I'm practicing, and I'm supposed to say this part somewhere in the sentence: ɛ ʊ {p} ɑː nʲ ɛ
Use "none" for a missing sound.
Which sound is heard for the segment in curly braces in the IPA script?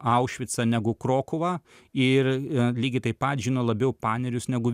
p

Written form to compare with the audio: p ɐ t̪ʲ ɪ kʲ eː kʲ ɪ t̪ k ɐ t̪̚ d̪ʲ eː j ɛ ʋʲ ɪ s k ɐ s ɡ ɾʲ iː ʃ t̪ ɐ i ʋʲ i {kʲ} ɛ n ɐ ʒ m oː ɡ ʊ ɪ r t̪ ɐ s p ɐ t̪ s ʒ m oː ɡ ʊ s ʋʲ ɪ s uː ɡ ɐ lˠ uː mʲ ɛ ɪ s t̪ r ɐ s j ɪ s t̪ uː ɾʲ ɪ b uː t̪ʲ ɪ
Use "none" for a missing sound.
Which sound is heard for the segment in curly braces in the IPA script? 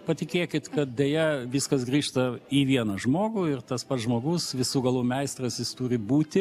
none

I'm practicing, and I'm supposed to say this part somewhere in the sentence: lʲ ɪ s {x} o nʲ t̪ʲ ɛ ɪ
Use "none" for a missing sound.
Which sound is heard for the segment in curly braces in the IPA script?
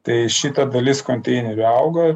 k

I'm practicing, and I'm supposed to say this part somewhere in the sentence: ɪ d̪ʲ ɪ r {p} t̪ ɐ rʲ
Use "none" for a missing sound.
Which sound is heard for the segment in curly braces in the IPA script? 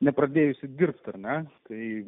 p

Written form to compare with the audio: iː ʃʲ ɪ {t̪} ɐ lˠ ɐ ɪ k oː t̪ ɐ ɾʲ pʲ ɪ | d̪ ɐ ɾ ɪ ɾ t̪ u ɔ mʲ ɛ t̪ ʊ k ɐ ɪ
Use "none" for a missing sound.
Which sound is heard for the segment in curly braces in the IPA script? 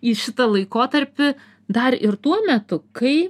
t̪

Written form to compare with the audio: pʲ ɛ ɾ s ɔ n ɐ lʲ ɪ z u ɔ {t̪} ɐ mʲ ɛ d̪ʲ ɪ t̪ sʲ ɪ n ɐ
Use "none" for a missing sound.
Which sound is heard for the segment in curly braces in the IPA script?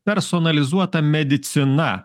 t̪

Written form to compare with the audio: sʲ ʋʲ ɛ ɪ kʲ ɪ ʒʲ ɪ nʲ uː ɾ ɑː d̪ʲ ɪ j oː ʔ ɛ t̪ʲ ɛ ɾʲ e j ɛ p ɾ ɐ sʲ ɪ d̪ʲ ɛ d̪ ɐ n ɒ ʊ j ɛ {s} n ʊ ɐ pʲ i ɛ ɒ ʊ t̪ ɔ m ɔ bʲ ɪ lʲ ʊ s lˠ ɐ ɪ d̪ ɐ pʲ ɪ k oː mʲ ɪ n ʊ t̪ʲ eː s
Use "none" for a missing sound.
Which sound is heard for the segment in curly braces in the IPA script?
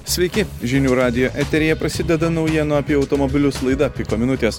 none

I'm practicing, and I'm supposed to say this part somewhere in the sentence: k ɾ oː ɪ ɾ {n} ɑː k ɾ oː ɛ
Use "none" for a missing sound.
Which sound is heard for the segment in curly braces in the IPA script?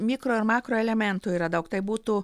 m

